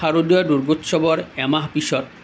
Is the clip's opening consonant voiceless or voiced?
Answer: voiced